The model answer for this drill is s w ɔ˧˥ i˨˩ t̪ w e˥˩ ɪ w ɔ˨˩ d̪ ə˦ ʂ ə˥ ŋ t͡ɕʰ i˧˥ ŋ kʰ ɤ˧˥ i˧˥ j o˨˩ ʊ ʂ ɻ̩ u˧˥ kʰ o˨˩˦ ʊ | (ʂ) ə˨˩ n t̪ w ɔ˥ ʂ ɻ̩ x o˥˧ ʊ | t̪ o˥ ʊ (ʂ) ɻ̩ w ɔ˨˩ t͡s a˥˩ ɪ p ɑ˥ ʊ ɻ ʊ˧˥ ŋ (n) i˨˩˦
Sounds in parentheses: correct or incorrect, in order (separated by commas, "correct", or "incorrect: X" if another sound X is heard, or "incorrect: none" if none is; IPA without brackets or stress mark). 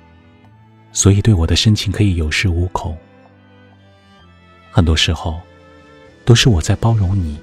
incorrect: x, correct, correct